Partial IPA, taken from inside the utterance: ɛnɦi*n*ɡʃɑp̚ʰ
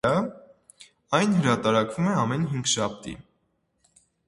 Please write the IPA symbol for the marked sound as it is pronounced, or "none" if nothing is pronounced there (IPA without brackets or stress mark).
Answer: ŋ